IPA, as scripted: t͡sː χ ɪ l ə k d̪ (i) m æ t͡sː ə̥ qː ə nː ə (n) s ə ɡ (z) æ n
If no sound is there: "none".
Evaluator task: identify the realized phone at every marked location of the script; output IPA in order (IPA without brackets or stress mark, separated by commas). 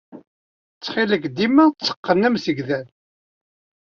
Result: i, m, ð